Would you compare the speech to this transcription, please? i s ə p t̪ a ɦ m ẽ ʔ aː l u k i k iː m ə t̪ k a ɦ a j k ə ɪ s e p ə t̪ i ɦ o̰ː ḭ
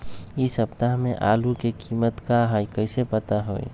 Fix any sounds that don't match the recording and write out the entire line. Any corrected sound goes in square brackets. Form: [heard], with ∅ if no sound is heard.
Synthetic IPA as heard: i s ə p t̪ a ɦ m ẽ ʔ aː l u k [e] k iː m ə t̪ k a ɦ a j k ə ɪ s e p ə t̪ [a] ɦ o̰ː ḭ